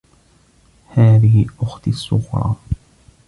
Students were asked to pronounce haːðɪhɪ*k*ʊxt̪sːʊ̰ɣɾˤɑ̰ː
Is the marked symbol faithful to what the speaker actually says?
no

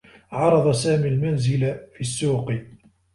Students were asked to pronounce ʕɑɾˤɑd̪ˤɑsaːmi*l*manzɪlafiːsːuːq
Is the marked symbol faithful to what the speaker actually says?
yes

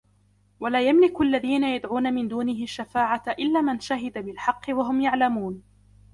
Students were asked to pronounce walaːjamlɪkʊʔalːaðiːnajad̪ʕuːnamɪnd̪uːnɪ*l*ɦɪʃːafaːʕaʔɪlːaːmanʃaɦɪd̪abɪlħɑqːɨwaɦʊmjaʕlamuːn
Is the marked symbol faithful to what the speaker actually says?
no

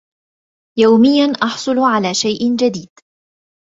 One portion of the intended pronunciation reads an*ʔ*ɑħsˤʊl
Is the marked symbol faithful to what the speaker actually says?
yes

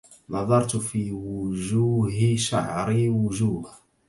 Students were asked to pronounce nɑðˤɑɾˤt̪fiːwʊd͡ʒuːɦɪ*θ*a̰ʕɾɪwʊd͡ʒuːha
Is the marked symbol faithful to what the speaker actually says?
no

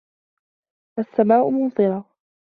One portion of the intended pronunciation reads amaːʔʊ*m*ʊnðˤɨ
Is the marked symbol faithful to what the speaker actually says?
yes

